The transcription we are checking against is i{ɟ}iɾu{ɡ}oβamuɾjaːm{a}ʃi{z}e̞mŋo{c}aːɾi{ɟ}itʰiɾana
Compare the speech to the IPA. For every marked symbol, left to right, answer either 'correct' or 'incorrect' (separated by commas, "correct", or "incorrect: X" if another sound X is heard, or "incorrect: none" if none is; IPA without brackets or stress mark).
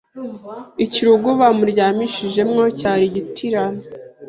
incorrect: c, correct, incorrect: i, incorrect: ʒ, correct, correct